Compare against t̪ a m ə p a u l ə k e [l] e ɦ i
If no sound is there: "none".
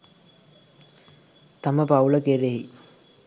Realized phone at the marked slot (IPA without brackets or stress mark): ɾ